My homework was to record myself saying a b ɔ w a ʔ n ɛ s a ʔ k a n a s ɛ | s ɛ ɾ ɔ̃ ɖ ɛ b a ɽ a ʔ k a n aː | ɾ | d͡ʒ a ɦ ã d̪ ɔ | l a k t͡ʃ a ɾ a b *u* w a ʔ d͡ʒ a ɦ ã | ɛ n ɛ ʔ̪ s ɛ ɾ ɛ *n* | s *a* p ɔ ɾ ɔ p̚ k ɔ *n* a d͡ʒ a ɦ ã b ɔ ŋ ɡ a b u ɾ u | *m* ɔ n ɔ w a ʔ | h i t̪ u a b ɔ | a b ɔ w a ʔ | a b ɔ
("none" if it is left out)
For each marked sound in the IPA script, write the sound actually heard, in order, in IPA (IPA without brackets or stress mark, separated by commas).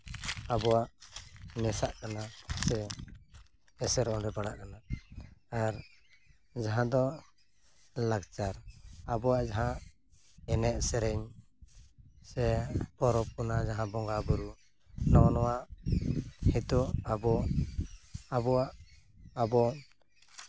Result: ɔ, ɲ, ɛ, n, n